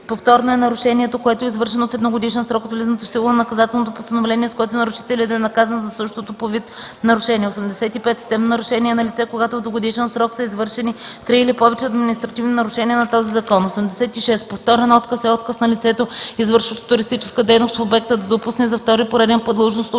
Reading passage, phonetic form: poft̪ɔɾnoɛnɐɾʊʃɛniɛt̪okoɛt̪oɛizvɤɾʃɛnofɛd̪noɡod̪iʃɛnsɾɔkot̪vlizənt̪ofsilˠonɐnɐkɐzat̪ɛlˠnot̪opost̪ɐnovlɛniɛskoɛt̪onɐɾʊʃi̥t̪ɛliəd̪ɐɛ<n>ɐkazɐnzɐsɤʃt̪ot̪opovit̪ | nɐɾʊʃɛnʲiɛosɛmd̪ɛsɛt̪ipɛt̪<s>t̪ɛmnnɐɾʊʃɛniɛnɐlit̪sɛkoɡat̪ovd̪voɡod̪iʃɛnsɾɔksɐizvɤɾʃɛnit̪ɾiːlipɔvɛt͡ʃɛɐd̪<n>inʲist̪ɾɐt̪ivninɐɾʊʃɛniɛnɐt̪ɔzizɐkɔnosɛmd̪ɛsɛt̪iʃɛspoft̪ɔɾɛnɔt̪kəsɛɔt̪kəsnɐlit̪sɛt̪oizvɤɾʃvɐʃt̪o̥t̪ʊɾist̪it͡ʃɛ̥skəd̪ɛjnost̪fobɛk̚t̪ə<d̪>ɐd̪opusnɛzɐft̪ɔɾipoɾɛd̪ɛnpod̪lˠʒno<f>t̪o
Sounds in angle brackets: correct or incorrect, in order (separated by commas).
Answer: correct, correct, incorrect, correct, incorrect